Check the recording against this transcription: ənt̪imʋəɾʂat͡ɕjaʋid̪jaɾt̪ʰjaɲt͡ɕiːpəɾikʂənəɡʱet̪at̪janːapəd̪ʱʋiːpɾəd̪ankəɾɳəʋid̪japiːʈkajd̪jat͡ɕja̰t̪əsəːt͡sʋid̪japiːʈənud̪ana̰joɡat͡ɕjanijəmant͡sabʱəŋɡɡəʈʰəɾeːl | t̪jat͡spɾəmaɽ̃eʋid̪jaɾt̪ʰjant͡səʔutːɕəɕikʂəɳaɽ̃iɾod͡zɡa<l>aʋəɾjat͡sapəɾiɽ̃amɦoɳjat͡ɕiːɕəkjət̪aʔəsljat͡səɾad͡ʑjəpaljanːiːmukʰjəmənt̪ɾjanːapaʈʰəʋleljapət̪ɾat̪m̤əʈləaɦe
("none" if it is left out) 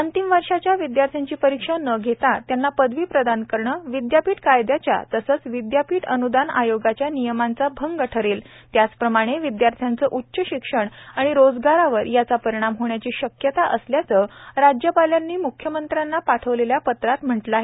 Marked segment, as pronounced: ɾ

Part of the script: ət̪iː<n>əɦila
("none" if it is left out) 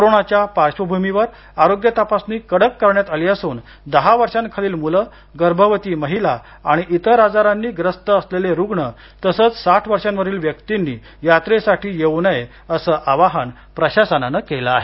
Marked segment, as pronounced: m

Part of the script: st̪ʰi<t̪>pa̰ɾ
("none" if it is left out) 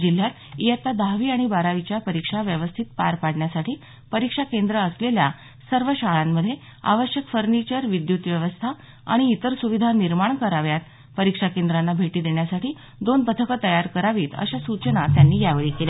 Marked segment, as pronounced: t̪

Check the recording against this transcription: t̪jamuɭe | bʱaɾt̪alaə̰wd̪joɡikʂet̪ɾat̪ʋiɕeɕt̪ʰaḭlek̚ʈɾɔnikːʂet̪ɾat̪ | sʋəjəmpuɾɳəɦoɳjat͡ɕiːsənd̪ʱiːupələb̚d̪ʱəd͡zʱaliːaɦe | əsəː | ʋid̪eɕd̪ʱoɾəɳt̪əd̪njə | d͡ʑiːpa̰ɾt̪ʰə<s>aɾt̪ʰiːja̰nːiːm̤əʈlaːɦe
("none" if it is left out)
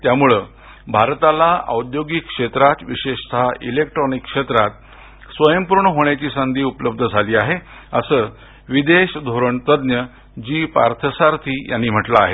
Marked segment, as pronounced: s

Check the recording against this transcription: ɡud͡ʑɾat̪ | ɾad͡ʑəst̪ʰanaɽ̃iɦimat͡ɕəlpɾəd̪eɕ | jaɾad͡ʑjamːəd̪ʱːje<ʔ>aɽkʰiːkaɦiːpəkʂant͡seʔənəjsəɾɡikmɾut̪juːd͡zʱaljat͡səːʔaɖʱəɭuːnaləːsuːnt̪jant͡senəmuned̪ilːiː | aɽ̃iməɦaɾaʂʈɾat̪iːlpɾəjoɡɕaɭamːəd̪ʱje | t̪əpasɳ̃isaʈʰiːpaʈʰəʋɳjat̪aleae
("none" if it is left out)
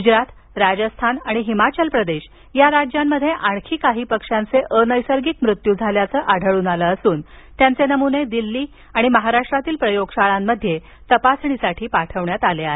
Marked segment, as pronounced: ʔ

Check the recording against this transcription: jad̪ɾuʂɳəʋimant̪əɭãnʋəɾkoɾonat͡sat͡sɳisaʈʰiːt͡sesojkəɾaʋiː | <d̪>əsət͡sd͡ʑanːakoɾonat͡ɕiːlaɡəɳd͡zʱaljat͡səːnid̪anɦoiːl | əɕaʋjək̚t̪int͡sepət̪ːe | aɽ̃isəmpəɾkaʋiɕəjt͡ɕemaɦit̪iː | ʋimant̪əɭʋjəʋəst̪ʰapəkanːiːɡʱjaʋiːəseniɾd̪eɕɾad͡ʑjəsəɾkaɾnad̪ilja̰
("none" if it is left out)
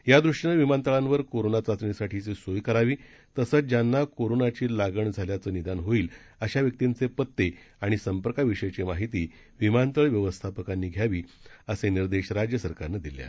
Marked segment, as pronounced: t̪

